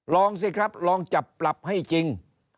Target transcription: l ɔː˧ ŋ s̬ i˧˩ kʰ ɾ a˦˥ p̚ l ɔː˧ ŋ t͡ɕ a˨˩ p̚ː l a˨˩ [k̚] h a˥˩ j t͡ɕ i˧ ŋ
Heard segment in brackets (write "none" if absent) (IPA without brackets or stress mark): p̚